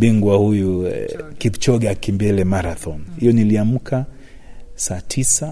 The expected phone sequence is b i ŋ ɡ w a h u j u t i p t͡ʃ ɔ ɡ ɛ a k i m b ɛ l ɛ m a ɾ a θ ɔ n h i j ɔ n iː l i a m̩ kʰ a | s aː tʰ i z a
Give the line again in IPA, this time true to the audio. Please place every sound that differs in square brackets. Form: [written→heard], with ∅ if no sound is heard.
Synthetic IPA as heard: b i ŋ ɡ w a h u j u [t→k] i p t͡ʃ ɔ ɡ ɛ a k i m b ɛ l ɛ m a ɾ a θ ɔ n h i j ɔ n [iː→i] l i a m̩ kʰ a | s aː tʰ i [z→s] a